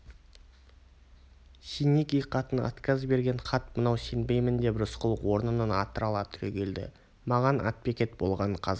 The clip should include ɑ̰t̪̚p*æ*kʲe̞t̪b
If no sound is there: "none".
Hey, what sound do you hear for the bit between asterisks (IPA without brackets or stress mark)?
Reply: e